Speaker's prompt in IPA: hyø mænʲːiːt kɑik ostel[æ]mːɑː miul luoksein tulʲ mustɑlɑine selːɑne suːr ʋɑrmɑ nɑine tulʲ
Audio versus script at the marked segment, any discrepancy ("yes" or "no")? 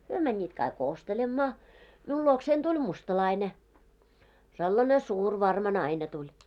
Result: yes